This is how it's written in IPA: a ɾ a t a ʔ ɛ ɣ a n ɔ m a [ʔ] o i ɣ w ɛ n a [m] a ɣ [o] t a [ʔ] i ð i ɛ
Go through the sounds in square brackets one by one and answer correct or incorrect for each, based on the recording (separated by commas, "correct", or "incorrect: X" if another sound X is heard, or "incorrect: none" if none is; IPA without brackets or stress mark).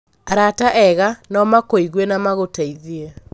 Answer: incorrect: k, correct, correct, incorrect: none